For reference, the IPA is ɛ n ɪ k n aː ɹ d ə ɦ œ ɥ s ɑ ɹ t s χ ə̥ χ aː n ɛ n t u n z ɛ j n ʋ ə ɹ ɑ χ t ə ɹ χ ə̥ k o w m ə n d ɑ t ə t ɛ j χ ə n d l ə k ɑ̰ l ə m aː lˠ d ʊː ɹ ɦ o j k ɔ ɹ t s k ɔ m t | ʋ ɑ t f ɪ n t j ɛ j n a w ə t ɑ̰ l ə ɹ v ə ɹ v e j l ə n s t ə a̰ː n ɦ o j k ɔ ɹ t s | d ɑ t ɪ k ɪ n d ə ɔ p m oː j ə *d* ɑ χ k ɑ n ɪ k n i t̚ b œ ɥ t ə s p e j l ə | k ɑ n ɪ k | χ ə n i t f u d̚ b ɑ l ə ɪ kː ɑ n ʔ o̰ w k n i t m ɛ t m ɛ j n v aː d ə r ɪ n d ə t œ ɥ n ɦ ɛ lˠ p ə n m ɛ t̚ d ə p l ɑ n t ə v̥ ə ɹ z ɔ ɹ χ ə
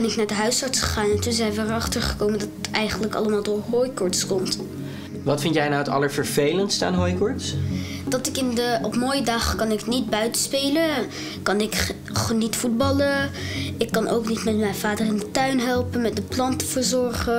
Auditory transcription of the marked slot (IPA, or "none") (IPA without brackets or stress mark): d